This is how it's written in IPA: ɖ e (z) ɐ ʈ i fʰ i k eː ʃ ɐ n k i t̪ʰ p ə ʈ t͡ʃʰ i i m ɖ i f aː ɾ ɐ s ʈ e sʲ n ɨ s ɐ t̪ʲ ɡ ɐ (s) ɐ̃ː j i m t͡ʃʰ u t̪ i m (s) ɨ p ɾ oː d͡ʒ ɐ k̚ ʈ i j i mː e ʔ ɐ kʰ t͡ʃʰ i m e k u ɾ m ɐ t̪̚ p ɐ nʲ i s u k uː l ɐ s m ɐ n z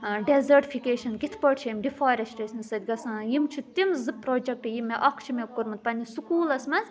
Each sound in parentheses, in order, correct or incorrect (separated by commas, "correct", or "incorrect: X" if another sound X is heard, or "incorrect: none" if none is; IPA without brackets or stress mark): correct, correct, incorrect: z